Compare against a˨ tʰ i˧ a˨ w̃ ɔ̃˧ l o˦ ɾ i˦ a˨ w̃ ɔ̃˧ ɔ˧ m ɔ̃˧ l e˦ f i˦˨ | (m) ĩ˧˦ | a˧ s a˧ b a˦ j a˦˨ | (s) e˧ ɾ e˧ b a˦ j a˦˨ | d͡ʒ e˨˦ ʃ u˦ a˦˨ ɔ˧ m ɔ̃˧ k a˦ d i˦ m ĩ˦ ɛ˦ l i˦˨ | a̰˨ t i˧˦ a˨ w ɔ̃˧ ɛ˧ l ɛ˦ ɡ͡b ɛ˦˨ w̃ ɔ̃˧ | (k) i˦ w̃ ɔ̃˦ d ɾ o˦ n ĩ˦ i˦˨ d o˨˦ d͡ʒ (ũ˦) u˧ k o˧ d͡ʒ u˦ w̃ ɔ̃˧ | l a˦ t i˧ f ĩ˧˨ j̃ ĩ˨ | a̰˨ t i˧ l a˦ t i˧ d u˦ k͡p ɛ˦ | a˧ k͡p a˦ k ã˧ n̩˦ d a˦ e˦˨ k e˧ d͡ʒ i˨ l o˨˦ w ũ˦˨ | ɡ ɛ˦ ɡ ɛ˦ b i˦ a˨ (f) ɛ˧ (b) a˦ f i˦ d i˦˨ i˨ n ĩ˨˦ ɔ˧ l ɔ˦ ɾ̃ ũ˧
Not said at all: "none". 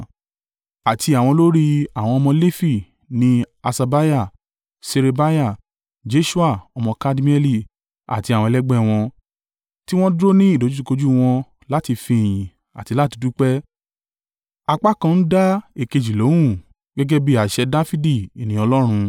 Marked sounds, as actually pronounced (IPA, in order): n, s, t, u˦, ʃ, d

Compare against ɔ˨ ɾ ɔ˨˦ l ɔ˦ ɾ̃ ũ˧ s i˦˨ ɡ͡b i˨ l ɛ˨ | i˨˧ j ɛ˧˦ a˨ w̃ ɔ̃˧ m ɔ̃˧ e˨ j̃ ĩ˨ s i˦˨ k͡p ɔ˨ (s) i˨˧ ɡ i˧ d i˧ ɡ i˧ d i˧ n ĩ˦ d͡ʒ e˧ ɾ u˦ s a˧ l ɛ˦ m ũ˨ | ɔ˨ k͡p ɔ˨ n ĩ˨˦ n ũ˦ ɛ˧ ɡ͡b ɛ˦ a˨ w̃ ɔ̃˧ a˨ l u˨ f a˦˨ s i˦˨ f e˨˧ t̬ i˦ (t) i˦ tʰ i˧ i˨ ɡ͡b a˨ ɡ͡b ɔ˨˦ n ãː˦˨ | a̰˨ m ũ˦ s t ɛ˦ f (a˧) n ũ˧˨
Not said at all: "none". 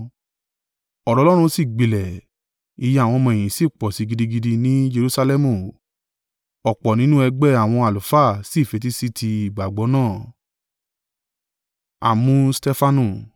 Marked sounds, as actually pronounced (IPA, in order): s, s, a˧

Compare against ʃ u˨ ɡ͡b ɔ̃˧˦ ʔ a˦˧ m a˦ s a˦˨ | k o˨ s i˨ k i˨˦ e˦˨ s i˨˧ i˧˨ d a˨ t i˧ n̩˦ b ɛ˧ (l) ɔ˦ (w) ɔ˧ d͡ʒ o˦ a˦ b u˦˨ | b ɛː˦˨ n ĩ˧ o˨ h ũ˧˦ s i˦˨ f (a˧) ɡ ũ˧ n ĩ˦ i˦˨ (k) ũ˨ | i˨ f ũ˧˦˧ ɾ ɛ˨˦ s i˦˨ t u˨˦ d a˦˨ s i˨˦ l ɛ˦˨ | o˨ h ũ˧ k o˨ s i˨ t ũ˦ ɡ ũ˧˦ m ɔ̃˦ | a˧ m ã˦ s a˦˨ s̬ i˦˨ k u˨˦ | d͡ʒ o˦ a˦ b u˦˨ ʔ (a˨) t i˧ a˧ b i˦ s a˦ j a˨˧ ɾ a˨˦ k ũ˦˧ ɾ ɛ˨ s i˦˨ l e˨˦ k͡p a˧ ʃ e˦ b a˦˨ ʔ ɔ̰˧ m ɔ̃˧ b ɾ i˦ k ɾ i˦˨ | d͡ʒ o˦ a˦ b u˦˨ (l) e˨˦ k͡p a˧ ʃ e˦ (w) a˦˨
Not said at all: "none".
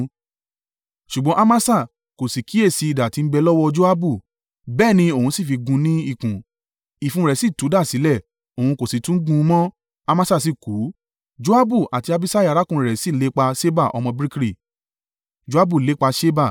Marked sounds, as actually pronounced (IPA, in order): l, w, i˧, k, a˨, l, b

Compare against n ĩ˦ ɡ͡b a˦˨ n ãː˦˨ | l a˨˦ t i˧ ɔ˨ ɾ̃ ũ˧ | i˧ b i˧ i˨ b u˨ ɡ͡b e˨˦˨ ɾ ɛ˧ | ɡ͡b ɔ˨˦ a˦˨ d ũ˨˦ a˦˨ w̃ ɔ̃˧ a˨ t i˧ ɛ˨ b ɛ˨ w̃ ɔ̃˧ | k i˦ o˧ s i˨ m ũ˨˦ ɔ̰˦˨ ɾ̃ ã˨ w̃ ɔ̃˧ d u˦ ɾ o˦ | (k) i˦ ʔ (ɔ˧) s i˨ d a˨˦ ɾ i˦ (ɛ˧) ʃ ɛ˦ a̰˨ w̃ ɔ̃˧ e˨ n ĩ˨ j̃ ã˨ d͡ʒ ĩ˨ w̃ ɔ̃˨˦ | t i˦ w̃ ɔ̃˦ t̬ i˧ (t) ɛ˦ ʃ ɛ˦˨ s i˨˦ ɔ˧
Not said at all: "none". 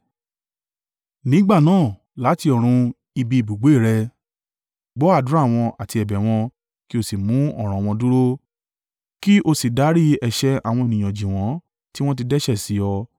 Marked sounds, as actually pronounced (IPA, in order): k, o˧, ɛ˧, d

